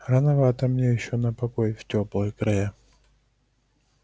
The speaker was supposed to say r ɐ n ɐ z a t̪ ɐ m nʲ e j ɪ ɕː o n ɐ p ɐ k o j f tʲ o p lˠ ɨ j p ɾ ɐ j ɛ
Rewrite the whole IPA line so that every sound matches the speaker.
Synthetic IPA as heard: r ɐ n ɐ v a t̪ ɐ m nʲ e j ɪ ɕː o n ɐ p ɐ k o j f tʲ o p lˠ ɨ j k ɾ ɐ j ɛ